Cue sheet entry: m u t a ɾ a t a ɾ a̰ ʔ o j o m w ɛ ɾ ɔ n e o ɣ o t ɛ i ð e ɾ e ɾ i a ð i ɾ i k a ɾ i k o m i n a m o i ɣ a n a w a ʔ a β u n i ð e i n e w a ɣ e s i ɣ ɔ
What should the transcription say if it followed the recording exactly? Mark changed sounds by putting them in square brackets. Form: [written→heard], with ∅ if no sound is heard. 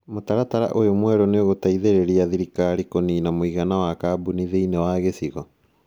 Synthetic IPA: m [u→o] t a ɾ a t a ɾ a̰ ʔ o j o m w ɛ ɾ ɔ n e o ɣ o t [ɛ→a] i ð e ɾ e ɾ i a ð i ɾ i k a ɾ i k o [m→n] i n a m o i ɣ a n a w a [ʔ→k] a [β→b] u n i ð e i n e w a ɣ e s i ɣ ɔ